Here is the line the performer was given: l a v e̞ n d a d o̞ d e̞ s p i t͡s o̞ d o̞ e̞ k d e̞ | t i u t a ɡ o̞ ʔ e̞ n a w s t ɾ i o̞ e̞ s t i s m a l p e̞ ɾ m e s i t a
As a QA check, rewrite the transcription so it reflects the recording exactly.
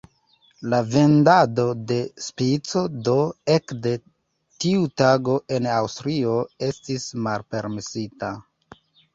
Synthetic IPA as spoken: l a v e̞ n d a d o̞ d e̞ s p i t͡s o̞ d o̞ e̞ k d e̞ | t i u t a ɡ o̞ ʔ e̞ n a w s t ɾ i o̞ e̞ s t i s m a l p e̞ ɾ m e s i t a